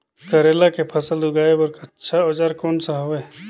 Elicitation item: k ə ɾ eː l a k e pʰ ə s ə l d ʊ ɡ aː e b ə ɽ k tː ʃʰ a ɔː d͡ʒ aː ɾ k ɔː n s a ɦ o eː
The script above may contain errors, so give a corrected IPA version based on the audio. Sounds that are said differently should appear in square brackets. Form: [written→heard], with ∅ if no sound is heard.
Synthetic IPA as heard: k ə ɾ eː l a k e pʰ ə s ə l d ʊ ɡ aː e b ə [ɽ→ɾ] k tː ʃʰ a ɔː d͡ʒ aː ɾ k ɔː n s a ɦ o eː